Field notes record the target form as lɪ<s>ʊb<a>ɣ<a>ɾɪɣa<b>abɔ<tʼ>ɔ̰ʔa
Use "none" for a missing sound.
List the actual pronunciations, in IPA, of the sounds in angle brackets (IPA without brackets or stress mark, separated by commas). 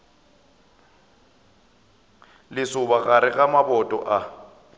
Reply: s, a, a, m, tʼ